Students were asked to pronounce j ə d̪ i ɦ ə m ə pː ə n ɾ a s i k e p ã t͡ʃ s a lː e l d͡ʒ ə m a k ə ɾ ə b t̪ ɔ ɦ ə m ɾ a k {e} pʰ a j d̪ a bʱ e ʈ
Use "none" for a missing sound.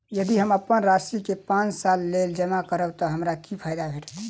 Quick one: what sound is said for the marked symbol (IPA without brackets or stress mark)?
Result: i